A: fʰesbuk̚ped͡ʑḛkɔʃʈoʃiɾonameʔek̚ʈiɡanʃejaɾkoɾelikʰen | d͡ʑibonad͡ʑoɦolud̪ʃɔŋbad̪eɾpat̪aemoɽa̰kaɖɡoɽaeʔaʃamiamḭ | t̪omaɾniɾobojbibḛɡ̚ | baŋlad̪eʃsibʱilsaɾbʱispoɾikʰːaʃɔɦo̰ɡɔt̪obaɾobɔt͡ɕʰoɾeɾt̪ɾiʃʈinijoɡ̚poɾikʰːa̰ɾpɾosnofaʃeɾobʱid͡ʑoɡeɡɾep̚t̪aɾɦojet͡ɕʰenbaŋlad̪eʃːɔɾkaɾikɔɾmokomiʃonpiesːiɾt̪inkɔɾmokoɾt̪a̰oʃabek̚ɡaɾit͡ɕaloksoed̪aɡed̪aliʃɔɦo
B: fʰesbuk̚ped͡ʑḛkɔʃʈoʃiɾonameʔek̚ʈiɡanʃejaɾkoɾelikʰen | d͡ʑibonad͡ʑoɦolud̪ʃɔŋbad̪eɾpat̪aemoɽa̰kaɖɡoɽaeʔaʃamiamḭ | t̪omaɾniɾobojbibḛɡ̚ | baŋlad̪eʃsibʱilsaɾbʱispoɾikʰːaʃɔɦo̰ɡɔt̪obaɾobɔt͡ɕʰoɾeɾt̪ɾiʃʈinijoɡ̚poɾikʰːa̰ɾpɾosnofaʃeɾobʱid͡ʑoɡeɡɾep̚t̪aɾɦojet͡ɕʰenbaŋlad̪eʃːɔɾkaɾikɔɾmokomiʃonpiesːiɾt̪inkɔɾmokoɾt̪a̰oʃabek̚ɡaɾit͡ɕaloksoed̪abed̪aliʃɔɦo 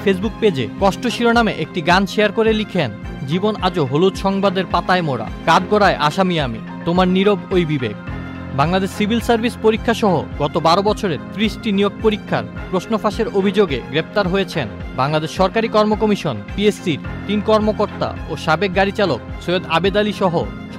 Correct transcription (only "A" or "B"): B